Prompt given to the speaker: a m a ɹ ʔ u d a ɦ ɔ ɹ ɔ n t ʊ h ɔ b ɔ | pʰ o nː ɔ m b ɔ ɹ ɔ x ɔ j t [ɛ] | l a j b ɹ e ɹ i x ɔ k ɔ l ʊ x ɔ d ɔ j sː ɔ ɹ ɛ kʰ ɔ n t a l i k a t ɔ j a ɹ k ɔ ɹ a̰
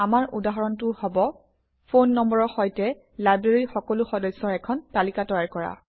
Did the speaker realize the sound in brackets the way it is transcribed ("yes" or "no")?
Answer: yes